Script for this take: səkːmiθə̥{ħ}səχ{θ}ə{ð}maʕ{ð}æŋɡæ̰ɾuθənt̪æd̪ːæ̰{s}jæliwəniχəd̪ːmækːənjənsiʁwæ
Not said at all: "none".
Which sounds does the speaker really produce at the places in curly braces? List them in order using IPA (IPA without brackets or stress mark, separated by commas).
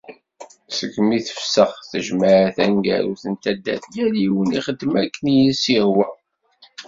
f, θ, ʒ, θ, θ